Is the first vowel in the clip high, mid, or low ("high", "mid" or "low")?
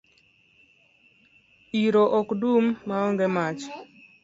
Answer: high